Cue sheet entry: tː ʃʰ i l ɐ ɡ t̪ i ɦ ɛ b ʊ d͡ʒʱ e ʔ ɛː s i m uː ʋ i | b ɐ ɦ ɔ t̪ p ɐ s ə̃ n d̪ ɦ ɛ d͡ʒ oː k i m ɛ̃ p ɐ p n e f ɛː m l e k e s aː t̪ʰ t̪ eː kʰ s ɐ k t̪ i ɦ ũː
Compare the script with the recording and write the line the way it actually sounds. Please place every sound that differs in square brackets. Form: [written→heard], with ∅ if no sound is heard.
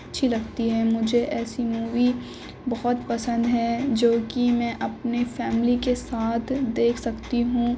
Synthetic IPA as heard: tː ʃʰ i l ɐ ɡ t̪ i ɦ ɛ [b→m] ʊ d͡ʒʱ e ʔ ɛː s i m uː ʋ i | b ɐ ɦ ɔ t̪ p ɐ s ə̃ n d̪ ɦ ɛ d͡ʒ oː k i m ɛ̃ [p→ʔ] ɐ p n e f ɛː m l [e→i] k e s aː t̪ʰ [t̪→d̪] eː kʰ s ɐ k t̪ i ɦ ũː